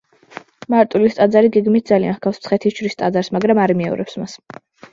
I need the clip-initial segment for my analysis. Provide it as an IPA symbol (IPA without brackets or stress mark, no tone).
m